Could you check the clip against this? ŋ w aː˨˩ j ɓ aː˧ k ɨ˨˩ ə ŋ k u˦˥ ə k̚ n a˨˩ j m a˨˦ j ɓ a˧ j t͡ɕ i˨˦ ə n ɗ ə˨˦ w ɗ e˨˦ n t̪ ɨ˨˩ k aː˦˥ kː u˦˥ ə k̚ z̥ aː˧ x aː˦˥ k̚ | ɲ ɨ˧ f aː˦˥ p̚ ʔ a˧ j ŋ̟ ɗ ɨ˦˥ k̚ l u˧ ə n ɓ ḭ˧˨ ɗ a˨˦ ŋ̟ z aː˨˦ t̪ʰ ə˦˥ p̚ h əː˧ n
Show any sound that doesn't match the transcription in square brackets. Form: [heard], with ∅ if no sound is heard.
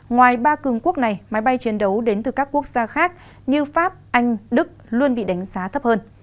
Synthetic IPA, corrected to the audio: ŋ w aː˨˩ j ɓ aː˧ k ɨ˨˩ ə ŋ k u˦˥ ə k̚ n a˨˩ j m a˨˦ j ɓ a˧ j t͡ɕ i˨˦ ə n ɗ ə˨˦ w ɗ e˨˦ n t̪ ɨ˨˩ k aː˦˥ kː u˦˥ ə k̚ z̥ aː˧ x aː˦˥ k̚ | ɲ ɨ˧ f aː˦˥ p̚ ʔ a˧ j ŋ̟ ɗ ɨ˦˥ k̚ l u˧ ə n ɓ ḭ˧˨ ɗ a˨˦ ŋ̟ z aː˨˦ t̪ʰ ə˦˥ p̚ h əː˧ n